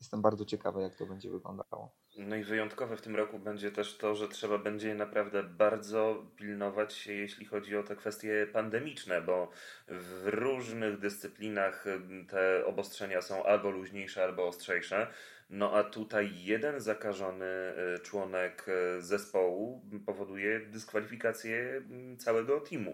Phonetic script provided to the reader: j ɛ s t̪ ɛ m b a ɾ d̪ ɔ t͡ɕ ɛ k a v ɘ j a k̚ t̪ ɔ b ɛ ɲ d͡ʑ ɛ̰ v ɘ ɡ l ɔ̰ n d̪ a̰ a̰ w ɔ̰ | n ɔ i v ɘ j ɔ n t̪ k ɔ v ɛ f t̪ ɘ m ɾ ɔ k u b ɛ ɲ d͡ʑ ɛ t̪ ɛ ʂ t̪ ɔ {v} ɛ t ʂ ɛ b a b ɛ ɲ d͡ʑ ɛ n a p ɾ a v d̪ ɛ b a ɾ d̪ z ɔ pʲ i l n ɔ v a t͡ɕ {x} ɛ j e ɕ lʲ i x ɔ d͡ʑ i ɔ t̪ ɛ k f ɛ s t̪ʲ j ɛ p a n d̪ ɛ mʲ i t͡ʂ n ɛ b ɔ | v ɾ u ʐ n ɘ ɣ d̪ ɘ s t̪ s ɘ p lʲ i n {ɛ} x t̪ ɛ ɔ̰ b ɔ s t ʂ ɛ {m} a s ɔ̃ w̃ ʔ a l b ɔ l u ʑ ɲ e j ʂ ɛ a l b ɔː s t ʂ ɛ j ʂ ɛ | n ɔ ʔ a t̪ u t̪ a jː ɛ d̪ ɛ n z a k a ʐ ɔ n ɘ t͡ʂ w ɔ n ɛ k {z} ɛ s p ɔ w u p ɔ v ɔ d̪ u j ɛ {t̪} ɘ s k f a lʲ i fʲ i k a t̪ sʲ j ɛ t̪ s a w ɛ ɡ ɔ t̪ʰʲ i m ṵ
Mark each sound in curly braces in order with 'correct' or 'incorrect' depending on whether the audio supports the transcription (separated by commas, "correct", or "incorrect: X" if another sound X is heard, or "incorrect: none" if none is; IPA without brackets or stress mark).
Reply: incorrect: ʐ, incorrect: ɕ, incorrect: a, incorrect: ɲ, correct, incorrect: d̪